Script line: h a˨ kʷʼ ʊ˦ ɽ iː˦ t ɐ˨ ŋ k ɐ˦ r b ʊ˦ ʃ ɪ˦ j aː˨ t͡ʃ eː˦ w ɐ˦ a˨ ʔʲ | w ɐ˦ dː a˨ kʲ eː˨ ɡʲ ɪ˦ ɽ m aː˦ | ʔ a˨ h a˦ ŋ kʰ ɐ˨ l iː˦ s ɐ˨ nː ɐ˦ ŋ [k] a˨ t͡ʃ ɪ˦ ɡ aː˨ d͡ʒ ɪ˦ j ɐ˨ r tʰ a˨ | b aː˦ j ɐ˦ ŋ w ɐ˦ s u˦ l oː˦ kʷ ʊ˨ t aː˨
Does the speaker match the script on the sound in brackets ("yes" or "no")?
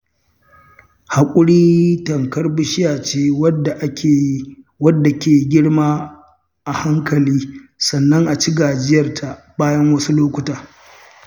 no